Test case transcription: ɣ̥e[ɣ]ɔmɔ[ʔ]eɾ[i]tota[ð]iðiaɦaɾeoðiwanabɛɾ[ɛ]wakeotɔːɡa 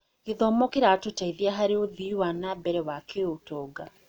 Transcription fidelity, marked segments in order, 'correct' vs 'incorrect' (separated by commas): incorrect, incorrect, incorrect, incorrect, correct